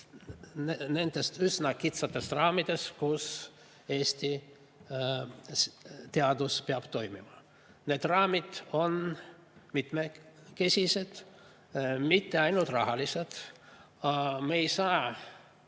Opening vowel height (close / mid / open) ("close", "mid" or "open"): mid